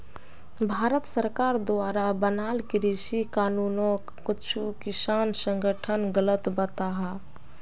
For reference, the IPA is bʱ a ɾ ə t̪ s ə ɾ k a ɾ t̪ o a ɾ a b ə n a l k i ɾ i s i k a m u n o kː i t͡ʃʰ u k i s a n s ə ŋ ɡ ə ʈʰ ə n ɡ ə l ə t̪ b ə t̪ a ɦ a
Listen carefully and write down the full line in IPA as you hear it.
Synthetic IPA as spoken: bʱ a ɾ ə t̪ s ə ɾ k a ɾ d̪ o a ɾ a b ə n a l k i ɾ i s i k a n u n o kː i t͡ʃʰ u k i s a n s ə ŋ ɡ ə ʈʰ ə n ɡ ə l ə t̪ b ə t̪ a ɦ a